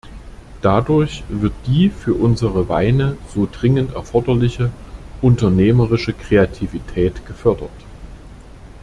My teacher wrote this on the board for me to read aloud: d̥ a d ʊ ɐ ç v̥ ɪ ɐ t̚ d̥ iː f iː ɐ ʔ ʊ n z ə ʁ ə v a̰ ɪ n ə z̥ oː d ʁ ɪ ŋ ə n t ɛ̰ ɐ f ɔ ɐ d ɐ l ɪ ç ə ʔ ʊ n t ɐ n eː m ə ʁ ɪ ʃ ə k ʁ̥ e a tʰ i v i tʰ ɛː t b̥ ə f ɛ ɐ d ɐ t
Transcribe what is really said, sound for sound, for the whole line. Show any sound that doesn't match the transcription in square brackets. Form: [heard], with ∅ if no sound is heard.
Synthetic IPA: d̥ a d ʊ ɐ ç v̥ ɪ ɐ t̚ d̥ iː f [yː] ɐ ʔ ʊ n z ə ʁ ə v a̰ ɪ n ə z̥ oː d ʁ ɪ ŋ ə n t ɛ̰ ɐ f ɔ ɐ d ɐ l ɪ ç ə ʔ ʊ n t ɐ n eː m ə ʁ ɪ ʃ ə k ʁ̥ e a tʰ i v i tʰ ɛː t [ɡ̥] ə f [œ] ɐ d ɐ t

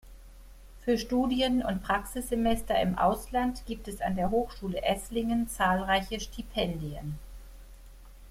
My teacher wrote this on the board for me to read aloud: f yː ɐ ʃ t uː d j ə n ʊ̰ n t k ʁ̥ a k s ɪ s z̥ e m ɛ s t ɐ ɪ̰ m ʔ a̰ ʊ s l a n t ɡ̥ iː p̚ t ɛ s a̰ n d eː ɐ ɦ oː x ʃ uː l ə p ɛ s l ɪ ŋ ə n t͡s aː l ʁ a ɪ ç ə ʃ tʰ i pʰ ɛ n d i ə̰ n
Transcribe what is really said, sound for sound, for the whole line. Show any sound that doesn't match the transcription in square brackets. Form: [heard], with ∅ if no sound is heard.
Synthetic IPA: f yː ɐ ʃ t uː d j ə n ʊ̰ n t [p] ʁ̥ a k s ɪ s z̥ e m ɛ s t ɐ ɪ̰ m ʔ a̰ ʊ s l a n t ɡ̥ iː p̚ t ɛ s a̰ n d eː ɐ ɦ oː x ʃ uː l ə [ʔ] ɛ s l ɪ ŋ ə n t͡s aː l ʁ a ɪ ç ə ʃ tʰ i pʰ ɛ n d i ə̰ n

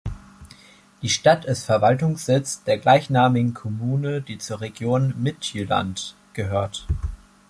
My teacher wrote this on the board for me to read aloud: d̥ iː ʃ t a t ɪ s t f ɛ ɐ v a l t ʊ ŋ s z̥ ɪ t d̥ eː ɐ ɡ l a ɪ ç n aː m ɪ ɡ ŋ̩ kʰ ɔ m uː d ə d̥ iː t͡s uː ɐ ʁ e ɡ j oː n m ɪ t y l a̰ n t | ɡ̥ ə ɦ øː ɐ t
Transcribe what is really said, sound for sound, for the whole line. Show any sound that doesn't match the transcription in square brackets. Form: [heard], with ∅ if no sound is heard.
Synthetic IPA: d̥ iː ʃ t a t ɪ s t f ɛ ɐ v a l t ʊ ŋ s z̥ ɪ [t͡s] d̥ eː ɐ ɡ l a ɪ ç n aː m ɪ ɡ ŋ̩ kʰ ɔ m uː [n] ə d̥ iː t͡s uː ɐ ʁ e ɡ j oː n m ɪ t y l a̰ n t | ɡ̥ ə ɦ øː ɐ t

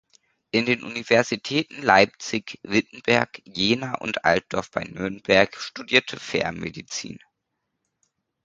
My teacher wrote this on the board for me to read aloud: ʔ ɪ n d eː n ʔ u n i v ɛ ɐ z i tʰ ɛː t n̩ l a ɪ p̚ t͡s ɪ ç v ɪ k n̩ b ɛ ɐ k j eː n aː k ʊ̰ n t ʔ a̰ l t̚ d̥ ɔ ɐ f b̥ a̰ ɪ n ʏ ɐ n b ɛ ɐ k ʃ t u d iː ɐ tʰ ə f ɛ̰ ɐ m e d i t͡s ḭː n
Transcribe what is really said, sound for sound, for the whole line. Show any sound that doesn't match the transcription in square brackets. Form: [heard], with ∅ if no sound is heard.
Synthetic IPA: ʔ ɪ n d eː n ʔ u n i v ɛ ɐ z i tʰ ɛː t n̩ l a ɪ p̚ t͡s ɪ ç v ɪ [t] n̩ b ɛ ɐ k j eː n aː [ʔ] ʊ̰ n t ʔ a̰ l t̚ d̥ ɔ ɐ f b̥ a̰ ɪ n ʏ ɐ n b ɛ ɐ k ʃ t u d iː ɐ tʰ ə f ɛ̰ ɐ m e d i t͡s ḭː n

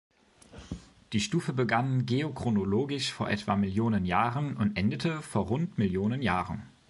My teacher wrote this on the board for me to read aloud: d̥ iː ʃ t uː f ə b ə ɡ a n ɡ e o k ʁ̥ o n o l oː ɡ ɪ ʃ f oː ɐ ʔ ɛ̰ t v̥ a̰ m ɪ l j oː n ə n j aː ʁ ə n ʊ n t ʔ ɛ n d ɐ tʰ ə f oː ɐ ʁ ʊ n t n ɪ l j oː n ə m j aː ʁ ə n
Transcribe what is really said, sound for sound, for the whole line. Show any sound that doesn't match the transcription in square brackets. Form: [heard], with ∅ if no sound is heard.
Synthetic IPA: d̥ iː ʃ t uː f ə b ə ɡ a n ɡ e o k ʁ̥ o n o l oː ɡ ɪ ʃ f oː ɐ ʔ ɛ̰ t v̥ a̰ m ɪ l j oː n ə n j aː ʁ ə n ʊ n t ʔ ɛ n d [ə] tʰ ə f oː ɐ ʁ ʊ n t [m] ɪ l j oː n ə [n] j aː ʁ ə n

